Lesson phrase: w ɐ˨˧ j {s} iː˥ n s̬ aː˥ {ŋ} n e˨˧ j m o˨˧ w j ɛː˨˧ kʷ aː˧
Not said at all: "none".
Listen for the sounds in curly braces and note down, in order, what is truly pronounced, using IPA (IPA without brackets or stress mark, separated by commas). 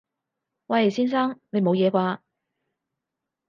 s, ŋ